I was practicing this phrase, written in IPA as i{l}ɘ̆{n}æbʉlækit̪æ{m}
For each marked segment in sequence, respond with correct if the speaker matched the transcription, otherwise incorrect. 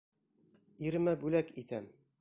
incorrect, incorrect, correct

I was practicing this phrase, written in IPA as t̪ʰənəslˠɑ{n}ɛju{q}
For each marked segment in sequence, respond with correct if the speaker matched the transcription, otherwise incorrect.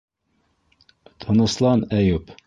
correct, incorrect

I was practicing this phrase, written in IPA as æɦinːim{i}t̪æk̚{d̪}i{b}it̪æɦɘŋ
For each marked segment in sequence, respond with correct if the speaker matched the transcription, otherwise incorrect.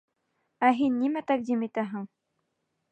incorrect, correct, incorrect

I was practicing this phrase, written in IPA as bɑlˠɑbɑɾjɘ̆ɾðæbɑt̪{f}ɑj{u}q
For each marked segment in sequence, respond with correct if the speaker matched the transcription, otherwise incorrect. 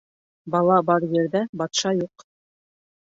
incorrect, correct

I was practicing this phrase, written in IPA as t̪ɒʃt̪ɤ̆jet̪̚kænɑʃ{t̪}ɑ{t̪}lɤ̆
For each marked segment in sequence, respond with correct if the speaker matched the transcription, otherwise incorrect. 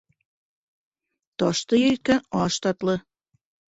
correct, correct

